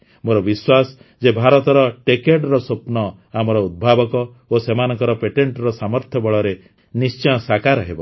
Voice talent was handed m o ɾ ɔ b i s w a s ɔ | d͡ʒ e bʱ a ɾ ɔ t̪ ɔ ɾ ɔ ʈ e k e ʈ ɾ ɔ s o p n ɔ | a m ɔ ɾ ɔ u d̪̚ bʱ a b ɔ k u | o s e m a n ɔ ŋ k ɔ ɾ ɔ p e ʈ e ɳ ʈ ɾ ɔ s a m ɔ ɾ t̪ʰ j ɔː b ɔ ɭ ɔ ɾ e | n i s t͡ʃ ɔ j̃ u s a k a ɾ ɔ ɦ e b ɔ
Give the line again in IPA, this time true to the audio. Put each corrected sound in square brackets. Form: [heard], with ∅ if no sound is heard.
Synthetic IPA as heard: m o ɾ ɔ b i s w a s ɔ | d͡ʒ e bʱ a ɾ ɔ t̪ ɔ ɾ ɔ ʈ e k e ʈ ɾ ɔ s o p n ɔ | a m ɔ ɾ ɔ u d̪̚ bʱ a b ɔ k [ɔ] | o s e m a n ɔ ŋ k ɔ ɾ ɔ p e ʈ e ɳ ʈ ɾ ɔ s a m ɔ ɾ t̪ʰ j [ɔ] b ɔ ɭ ɔ ɾ e | n i s t͡ʃ ɔ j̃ [ɔ] s a k a ɾ ɔ ɦ e b ɔ